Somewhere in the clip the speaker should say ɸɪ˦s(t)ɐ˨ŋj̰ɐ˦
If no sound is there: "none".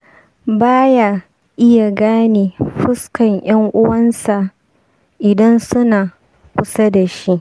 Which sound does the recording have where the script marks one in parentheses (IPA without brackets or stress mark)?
k